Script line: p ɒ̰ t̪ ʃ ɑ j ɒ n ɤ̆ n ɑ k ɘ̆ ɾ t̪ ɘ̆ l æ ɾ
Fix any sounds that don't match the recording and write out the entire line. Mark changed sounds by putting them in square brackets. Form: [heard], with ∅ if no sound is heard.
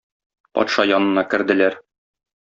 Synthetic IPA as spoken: p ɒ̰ t̪ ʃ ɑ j ɒ n ɤ̆ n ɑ k ɘ̆ ɾ [d̪] ɘ̆ l æ ɾ